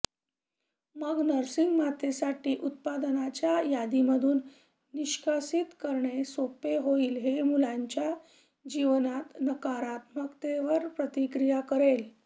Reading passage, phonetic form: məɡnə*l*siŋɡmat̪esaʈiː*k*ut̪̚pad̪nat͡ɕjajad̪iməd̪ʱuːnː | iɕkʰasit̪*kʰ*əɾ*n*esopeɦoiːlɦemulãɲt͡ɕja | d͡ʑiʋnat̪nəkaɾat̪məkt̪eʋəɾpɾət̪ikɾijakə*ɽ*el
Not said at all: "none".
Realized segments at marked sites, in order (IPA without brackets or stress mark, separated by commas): ɾ, ʔ, k, ɳ, ɾ